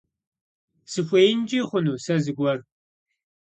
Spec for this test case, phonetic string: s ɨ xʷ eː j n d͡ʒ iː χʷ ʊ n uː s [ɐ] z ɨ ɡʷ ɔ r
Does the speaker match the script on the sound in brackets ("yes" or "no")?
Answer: yes